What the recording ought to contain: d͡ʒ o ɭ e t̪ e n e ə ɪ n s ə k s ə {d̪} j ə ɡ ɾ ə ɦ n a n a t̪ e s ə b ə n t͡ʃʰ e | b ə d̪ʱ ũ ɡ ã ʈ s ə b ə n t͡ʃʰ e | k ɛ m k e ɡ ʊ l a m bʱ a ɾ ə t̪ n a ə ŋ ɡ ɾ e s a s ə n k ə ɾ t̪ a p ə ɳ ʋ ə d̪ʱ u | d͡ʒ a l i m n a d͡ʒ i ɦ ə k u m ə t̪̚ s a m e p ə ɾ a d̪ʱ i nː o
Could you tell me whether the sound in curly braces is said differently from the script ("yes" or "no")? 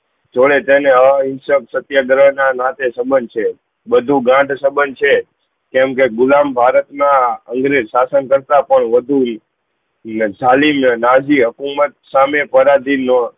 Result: yes